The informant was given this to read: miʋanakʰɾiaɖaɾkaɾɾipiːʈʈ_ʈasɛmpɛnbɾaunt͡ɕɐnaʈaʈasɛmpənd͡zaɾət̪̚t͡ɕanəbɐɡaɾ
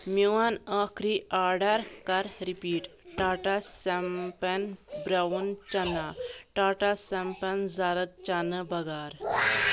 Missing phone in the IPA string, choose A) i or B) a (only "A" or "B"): B